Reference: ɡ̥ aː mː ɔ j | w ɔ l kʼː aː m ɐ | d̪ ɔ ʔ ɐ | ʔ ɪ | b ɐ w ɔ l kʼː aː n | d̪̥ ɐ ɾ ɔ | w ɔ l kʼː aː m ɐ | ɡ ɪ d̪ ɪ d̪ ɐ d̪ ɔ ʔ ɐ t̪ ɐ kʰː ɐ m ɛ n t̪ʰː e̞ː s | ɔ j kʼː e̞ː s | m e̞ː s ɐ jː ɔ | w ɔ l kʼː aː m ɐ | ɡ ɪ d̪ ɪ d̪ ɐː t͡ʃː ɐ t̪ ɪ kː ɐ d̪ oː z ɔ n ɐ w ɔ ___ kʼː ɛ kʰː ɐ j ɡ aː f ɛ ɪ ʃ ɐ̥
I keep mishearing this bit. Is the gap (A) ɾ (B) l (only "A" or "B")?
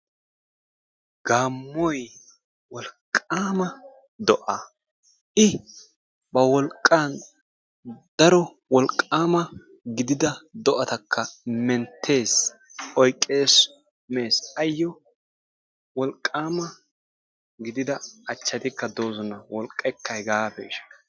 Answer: B